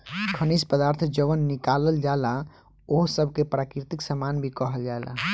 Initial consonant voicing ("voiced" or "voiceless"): voiceless